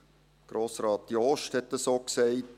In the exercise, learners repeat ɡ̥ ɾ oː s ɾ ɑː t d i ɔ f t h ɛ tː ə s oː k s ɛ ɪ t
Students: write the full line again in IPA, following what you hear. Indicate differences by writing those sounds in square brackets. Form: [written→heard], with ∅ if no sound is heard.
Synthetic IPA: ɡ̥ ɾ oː s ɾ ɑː t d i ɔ [f→ʃ] t h ɛ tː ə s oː k s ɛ ɪ t

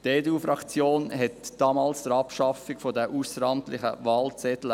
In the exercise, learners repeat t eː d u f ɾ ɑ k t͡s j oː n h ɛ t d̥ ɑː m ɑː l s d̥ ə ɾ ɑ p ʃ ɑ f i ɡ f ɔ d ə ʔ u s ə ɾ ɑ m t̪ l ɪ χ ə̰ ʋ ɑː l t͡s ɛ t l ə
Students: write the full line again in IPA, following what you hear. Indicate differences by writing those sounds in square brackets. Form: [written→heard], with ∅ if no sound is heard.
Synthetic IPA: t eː d u f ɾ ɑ k t͡s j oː n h ɛ t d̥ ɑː m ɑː l s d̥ ə ɾ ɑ p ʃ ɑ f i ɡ f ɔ d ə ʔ u s ə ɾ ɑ m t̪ l ɪ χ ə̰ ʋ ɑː l t͡s ɛ t l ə

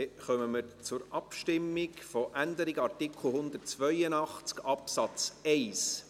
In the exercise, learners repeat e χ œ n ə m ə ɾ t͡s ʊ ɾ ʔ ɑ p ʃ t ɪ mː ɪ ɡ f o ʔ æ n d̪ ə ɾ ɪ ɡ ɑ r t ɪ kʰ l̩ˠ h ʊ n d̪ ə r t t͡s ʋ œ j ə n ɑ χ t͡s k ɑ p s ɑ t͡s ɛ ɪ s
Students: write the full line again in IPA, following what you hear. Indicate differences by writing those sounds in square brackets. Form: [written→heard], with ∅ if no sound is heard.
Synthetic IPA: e χ œ [n→m] ə m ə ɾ t͡s ʊ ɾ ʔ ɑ p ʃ t ɪ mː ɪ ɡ f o ʔ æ n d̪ ə ɾ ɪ ɡ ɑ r t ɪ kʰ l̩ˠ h ʊ n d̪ ə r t t͡s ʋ œ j ə n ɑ χ t͡s k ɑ p s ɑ t͡s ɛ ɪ s

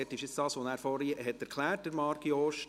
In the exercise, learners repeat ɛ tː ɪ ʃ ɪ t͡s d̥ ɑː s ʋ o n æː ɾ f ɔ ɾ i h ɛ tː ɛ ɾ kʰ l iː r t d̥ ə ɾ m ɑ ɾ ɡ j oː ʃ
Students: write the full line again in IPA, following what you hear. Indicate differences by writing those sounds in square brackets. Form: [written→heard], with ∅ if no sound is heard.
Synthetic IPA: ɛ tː ɪ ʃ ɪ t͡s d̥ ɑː s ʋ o n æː ɾ f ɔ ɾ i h ɛ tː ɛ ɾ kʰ l [iː→æː] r t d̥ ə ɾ m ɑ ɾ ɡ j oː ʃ

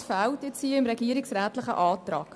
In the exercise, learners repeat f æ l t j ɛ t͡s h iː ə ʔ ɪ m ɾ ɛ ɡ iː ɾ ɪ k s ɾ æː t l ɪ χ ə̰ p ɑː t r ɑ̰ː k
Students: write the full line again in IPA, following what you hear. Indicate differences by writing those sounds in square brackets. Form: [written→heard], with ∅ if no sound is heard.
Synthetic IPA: f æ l t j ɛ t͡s h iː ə [ʔ→∅] ɪ m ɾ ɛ ɡ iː ɾ ɪ k s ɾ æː t l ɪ χ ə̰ [p→ʔ] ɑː t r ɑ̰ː k

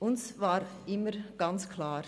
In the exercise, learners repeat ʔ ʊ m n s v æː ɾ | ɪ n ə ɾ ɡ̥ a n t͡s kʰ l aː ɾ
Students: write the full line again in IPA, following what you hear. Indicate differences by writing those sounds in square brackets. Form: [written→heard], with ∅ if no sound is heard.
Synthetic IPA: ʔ ʊ [m→∅] n s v [æː→aː] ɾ | ɪ [n→m] ə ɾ ɡ̥ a n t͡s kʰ l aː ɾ

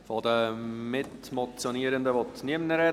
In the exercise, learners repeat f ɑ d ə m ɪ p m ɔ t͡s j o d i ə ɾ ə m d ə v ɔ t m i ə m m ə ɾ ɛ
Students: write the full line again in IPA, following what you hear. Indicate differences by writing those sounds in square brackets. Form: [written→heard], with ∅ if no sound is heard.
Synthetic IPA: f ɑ d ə m ɪ [p→t] m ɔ t͡s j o [d→n] i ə ɾ ə [m→n] d ə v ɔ t [m→n] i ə m [m→n] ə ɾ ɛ

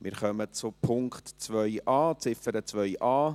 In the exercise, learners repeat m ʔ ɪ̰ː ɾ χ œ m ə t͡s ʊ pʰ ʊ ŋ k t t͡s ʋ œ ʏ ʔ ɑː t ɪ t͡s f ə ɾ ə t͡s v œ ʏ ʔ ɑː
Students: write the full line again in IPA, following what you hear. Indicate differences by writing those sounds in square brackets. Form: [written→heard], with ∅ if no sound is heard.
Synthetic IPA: m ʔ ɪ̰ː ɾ χ œ m ə t͡s ʊ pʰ ʊ ŋ k t t͡s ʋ œ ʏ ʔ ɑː [t→t͡s] ɪ [t͡s→∅] f ə ɾ ə t͡s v œ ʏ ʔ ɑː

